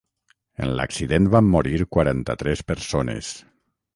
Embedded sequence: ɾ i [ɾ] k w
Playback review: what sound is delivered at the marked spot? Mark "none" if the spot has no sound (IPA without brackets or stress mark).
ɾ